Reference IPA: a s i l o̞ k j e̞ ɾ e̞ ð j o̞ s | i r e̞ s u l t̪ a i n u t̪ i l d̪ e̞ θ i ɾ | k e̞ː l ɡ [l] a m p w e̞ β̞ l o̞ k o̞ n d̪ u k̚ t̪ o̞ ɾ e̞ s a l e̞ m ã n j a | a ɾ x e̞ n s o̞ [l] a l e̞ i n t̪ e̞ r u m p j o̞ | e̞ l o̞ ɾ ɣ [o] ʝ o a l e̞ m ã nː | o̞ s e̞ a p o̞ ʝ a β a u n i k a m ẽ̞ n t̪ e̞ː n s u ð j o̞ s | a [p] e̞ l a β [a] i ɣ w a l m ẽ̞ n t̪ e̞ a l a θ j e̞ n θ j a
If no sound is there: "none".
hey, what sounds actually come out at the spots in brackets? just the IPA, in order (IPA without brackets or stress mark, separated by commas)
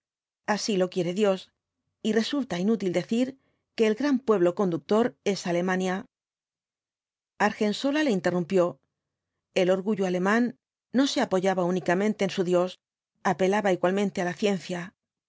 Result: ɾ, l, u, p, a